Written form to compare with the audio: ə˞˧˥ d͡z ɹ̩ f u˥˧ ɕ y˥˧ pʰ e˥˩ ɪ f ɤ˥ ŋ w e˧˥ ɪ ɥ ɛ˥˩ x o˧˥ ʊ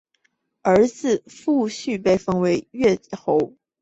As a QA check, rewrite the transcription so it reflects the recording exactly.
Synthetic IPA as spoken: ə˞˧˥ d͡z ɹ̩ f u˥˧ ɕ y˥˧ p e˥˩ ɪ f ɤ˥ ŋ w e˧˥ ɪ ɥ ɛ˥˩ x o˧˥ ʊ

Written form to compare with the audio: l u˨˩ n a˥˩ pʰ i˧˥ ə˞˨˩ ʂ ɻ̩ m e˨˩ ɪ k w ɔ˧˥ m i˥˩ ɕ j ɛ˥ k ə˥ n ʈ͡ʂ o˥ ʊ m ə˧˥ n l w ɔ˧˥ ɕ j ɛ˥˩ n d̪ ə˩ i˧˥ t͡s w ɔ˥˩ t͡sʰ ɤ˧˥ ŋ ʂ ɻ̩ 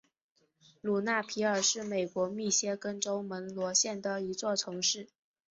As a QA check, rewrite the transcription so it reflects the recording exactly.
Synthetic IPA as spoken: l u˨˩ n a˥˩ pʰ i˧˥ ə˞˨˩ ʂ ɻ̩ m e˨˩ ɪ k w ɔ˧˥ m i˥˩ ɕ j ɛ˥ k ə˥ n ʈ͡ʂ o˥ ʊ m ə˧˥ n l w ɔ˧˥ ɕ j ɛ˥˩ n d̪ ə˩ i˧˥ t͡s w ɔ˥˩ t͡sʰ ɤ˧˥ ŋ ʂ ɻ̩

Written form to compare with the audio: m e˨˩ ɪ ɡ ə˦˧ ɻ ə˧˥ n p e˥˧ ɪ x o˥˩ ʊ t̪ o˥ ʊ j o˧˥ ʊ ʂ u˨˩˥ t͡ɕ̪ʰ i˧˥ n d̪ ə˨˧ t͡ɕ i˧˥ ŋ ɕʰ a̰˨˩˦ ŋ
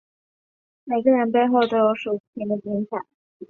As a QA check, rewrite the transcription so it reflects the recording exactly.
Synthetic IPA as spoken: m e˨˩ ɪ ɡ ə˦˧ ɻ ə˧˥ n p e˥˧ ɪ x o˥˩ ʊ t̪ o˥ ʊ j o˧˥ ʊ ʂ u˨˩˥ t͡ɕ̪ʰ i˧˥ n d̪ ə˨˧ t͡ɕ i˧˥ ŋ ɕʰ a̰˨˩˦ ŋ

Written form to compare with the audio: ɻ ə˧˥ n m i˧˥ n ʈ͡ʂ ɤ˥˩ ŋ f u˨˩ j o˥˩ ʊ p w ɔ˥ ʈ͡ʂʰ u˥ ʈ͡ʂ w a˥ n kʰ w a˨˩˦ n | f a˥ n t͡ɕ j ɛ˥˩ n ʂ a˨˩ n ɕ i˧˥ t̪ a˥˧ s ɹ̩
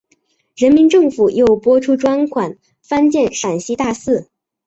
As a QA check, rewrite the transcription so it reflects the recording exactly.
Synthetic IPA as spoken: ɻ ə˧˥ n m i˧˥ n ʈ͡ʂ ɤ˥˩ ŋ f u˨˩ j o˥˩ ʊ p w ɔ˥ ʈ͡ʂʰ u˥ ʈ͡ʂ w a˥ n kʰ w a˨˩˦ n | f a˥ n t͡ɕ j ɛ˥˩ n ʂ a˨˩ n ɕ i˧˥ t̪ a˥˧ s ɹ̩

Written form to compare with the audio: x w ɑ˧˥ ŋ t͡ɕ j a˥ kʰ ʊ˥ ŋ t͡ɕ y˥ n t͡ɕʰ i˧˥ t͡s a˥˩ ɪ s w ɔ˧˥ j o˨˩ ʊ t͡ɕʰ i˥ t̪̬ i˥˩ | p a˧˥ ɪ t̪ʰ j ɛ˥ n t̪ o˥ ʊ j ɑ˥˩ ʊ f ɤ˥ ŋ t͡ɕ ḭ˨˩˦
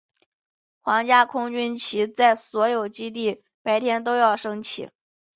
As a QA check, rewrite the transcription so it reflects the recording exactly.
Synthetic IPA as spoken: x w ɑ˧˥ ŋ t͡ɕ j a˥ kʰ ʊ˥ ŋ t͡ɕ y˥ n t͡ɕʰ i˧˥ t͡s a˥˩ ɪ s w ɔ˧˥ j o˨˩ ʊ t͡ɕ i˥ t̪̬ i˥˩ | p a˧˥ ɪ t̪ʰ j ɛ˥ n t̪ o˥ ʊ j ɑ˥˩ ʊ ʂ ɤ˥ ŋ t͡ɕʰ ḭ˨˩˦

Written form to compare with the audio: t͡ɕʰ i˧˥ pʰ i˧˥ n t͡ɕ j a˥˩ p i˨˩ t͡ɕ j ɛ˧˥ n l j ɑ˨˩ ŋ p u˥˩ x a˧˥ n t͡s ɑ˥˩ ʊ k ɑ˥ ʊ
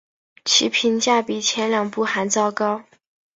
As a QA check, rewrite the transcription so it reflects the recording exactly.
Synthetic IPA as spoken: t͡ɕʰ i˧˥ pʰ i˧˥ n t͡ɕ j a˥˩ p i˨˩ t͡ɕʰ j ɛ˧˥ n l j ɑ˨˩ ŋ p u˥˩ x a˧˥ n t͡s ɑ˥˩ ʊ k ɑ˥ ʊ

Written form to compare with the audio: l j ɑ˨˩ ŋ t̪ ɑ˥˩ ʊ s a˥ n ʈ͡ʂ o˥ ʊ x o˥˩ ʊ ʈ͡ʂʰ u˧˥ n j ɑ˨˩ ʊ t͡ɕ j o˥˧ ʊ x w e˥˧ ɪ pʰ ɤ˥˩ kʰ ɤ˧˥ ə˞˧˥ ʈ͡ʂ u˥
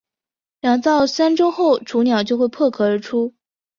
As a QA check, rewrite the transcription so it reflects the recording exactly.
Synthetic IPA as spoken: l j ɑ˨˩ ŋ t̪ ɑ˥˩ ʊ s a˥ n ʈ͡ʂ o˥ ʊ x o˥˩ ʊ ʈ͡ʂʰ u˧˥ n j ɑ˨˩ ʊ t͡ɕ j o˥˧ ʊ x w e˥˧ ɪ pʰ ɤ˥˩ kʰ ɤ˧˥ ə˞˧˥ ʈ͡ʂʰ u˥

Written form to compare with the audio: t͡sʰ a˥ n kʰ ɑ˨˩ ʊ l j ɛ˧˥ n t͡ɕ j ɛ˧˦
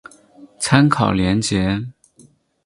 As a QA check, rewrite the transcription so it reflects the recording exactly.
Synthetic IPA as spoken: t͡sʰ a˥ n kʰ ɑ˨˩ ʊ l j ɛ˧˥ n t͡ɕ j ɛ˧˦

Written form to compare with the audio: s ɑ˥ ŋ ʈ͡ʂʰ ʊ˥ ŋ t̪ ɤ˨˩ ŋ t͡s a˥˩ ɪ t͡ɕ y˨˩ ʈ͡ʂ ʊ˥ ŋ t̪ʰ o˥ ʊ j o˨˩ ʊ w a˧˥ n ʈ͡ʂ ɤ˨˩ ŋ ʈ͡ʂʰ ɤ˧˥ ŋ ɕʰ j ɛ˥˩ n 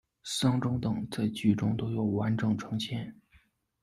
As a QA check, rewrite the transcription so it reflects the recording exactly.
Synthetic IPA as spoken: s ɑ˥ ŋ ʈ͡ʂ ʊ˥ ŋ t̪ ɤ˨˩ ŋ t͡s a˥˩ ɪ t͡ɕ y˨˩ ʈ͡ʂ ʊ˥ ŋ t̪ o˥ ʊ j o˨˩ ʊ w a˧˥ n ʈ͡ʂ ɤ˨˩ ŋ ʈ͡ʂʰ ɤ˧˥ ŋ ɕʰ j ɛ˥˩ n

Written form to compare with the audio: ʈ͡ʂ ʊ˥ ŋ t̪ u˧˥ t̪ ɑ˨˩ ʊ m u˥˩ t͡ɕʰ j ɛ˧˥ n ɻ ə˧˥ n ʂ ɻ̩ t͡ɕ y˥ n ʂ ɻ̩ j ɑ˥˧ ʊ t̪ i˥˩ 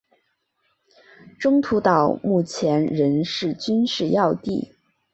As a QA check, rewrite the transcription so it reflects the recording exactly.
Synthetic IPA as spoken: ʈ͡ʂ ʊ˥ ŋ t̪ʰ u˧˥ t̪ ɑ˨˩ ʊ m u˥˩ t͡ɕʰ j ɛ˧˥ n ɻ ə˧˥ n ʂ ɻ̩ t͡ɕ y˥ n ʂ ɻ̩ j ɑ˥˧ ʊ t̪ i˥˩

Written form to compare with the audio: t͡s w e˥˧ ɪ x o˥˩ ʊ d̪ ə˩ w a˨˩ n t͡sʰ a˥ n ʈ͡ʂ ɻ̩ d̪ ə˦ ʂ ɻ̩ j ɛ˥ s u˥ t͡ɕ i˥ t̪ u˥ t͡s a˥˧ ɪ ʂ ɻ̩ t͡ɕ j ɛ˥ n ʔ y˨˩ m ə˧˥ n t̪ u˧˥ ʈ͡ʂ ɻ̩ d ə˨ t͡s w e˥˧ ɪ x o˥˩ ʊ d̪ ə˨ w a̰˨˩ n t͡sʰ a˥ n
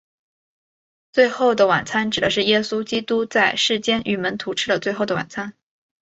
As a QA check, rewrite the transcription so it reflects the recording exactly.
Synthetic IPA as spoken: t͡s w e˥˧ ɪ x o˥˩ ʊ d̪ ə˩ w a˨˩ n t͡sʰ a˥ n ʈ͡ʂ ɻ̩ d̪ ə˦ ʂ ɻ̩ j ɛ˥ s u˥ t͡ɕ i˥ t̪ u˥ t͡s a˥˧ ɪ ʂ ɻ̩ t͡ɕ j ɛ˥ n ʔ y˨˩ m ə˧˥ n t̪ʰ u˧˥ ʈ͡ʂʰ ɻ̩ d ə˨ t͡s w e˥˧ ɪ x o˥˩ ʊ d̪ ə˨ w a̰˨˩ n t͡sʰ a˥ n

